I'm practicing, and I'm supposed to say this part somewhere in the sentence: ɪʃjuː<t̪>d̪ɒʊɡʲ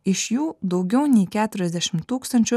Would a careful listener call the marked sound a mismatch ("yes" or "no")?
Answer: yes